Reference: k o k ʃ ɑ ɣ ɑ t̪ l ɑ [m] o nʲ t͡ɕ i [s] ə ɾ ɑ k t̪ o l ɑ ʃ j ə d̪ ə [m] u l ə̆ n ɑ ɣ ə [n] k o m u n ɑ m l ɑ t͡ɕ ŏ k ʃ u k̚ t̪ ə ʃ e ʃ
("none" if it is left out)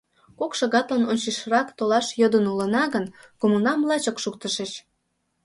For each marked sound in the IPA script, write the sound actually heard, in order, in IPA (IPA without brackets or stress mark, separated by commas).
n, ʃ, n, n